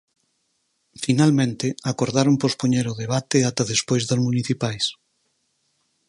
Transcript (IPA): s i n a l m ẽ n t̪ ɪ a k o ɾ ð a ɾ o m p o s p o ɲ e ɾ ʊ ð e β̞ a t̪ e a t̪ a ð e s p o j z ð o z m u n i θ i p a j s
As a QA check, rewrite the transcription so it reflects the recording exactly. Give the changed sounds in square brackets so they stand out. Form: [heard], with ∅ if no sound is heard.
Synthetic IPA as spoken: [f] i n a l m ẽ n t̪ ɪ a k o ɾ ð a ɾ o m p o s p o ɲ e ɾ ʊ ð e β̞ a t̪ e a t̪ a ð e s p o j z ð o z m u n i θ i p a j s